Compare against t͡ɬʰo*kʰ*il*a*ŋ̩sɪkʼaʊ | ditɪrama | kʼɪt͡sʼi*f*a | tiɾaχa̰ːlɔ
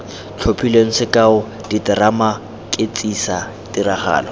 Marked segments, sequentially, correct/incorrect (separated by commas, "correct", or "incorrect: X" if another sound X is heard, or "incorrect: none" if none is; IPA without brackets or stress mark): incorrect: pʰ, incorrect: e, incorrect: s